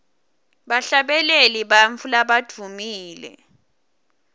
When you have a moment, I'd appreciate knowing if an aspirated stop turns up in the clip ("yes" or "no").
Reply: no